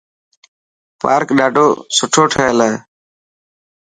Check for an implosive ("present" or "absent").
present